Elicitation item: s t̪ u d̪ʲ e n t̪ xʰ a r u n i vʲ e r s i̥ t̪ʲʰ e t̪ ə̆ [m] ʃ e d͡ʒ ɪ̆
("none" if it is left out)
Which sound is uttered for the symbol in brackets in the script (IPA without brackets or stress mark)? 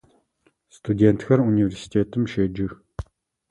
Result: m